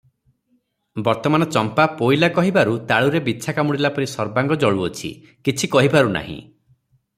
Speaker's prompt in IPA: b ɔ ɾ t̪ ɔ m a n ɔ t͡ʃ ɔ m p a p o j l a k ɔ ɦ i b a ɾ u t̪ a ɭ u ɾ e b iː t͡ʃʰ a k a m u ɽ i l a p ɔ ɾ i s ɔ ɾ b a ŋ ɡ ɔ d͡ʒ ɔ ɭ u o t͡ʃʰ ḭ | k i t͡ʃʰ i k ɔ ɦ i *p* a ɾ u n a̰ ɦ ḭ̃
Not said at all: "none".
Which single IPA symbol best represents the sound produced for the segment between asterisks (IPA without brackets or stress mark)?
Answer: b